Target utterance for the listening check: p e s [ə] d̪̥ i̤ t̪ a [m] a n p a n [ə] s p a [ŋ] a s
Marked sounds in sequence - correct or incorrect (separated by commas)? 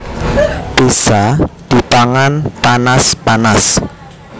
incorrect, incorrect, incorrect, incorrect